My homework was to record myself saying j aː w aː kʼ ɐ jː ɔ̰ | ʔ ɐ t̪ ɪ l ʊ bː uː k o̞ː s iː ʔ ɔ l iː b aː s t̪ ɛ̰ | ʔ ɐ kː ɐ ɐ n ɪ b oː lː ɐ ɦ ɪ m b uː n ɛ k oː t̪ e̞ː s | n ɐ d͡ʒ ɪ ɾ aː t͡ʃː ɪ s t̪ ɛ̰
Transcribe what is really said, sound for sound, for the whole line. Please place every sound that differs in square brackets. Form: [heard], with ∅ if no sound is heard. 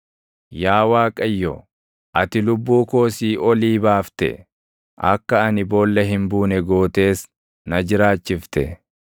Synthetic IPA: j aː w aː kʼ ɐ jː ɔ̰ | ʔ ɐ t̪ ɪ l ʊ bː uː k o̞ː s iː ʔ ɔ l iː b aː [f] t̪ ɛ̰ | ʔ ɐ kː ɐ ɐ n ɪ b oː lː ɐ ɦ ɪ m b uː n ɛ [ɡ] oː t̪ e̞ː s | n ɐ d͡ʒ ɪ ɾ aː t͡ʃː ɪ [f] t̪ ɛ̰